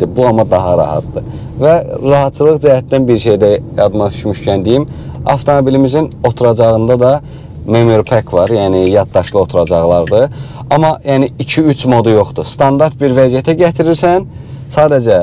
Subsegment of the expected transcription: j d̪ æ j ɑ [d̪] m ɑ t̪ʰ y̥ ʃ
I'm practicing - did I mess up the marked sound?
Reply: no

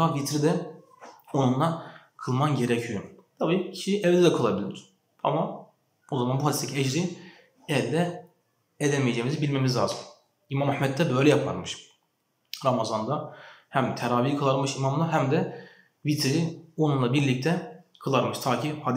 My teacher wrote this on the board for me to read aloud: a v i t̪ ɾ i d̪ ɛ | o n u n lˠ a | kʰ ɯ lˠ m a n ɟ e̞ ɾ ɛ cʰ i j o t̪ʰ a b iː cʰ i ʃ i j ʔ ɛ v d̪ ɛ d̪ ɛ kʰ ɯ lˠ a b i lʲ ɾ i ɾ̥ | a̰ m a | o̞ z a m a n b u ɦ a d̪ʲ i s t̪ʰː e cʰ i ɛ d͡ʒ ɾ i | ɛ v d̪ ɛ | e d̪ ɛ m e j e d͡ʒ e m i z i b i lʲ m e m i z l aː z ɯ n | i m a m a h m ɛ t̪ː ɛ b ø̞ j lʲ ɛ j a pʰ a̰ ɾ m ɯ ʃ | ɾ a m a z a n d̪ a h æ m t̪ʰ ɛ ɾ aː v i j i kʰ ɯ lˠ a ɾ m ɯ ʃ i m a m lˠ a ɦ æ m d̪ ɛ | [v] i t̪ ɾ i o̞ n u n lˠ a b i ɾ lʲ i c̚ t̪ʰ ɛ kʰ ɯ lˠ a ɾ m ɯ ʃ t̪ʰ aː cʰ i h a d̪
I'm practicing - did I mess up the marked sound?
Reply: no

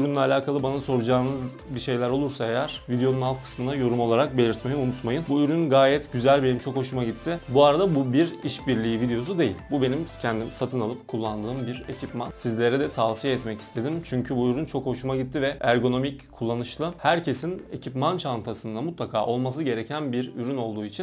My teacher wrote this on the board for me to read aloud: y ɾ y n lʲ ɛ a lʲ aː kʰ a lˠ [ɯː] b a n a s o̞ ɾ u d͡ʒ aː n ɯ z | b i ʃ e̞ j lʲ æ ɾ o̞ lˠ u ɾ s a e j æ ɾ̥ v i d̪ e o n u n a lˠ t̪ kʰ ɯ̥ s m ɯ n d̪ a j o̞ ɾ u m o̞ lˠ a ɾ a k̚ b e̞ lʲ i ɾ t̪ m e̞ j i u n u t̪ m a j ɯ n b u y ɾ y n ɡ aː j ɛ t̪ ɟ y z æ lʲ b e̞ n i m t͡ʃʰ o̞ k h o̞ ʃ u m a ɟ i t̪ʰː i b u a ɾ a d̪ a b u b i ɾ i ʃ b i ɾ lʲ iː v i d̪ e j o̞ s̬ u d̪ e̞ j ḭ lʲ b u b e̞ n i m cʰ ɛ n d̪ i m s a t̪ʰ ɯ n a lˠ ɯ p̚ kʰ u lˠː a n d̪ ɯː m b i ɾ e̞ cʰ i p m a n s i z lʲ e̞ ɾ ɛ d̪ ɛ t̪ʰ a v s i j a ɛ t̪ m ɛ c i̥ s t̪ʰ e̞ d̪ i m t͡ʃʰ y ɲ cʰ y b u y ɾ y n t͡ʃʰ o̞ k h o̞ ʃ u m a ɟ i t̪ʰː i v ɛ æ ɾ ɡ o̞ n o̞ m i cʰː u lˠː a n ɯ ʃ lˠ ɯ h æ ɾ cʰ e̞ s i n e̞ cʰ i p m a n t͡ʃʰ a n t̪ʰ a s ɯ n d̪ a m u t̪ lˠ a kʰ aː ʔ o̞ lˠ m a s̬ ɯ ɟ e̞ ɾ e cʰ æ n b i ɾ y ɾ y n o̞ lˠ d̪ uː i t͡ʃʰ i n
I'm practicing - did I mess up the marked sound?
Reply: yes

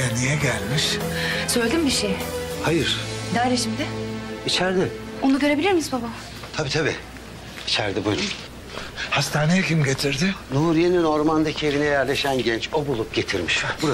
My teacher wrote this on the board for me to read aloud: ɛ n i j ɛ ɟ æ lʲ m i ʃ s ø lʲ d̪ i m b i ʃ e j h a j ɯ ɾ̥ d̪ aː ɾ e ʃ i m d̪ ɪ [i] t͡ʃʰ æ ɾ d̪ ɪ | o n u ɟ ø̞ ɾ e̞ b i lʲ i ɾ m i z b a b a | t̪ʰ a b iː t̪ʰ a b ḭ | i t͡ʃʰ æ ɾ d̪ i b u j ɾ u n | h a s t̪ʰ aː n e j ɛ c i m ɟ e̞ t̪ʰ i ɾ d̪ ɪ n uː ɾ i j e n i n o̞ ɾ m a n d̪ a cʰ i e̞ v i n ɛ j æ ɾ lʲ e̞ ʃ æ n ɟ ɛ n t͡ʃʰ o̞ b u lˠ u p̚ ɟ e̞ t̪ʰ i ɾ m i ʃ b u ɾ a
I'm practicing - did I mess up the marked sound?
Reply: no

